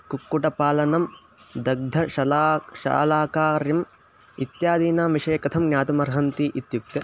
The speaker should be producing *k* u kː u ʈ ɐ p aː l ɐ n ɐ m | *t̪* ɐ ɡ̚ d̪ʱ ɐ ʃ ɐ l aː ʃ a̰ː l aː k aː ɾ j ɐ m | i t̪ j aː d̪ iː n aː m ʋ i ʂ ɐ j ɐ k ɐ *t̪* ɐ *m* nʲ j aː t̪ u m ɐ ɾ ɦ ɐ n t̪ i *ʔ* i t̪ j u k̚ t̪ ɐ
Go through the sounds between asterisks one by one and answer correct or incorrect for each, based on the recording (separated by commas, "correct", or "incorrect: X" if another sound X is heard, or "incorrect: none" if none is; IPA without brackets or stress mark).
correct, incorrect: d̪, incorrect: t̪ʰ, correct, correct